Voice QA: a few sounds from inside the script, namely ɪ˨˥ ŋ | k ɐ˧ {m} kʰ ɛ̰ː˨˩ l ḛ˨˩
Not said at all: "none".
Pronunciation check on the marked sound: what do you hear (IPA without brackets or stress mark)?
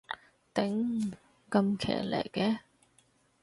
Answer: m